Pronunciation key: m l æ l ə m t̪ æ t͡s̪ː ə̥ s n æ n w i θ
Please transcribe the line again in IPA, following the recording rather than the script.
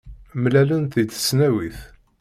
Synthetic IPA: m l æ l ə n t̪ i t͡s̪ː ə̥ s n æ w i θ